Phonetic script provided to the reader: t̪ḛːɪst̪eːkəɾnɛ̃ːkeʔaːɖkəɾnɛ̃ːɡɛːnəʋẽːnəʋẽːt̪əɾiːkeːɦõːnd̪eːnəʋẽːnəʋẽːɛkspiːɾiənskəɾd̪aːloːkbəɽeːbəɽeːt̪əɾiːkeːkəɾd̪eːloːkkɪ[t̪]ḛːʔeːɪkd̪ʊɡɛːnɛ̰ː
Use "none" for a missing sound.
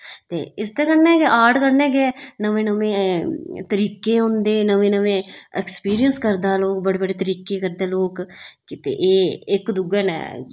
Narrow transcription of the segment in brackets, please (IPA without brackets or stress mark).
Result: t̪